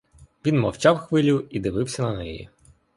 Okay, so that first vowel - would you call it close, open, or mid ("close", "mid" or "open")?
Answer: close